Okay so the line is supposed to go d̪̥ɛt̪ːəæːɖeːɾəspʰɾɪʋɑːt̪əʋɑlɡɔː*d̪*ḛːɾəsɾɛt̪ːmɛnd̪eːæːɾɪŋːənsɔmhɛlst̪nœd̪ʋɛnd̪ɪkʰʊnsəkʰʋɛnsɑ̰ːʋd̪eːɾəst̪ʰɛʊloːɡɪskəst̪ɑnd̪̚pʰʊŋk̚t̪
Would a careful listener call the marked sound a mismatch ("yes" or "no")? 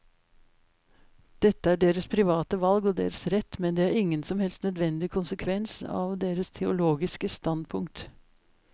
no